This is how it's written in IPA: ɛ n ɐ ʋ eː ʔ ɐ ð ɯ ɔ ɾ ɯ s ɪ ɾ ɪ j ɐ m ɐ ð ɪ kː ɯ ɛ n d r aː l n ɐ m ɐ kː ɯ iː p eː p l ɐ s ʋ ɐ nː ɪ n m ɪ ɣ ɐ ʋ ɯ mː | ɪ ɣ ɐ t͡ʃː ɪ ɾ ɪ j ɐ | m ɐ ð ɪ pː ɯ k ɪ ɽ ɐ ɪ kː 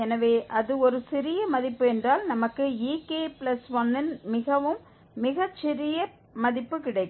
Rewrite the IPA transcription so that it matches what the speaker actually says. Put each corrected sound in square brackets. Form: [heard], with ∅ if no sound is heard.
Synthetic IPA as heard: ɛ n ɐ ʋ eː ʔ ɐ ð ɯ ɔ ɾ ɯ s ɪ ɾ ɪ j ɐ m ɐ ð ɪ [pː] ɯ ɛ n d r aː l n ɐ m ɐ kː ɯ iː [k] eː p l ɐ s ʋ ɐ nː ɪ n m ɪ ɣ ɐ ʋ ɯ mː | ɪ ɣ ɐ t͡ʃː ɪ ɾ ɪ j ɐ | m ɐ ð ɪ pː ɯ k ɪ ɽ ɐ ɪ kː